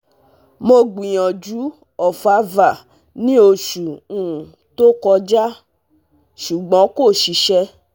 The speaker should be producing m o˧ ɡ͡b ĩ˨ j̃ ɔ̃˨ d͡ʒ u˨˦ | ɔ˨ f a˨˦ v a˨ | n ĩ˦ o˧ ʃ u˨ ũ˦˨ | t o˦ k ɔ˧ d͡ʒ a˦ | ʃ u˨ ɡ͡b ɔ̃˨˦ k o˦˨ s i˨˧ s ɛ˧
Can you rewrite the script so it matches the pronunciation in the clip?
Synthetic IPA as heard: m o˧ ɡ͡b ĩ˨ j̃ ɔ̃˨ d͡ʒ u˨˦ | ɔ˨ f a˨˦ v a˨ | n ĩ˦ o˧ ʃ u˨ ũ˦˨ | t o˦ k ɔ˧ d͡ʒ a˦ | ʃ u˨ ɡ͡b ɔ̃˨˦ k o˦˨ ʃ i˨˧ ʃ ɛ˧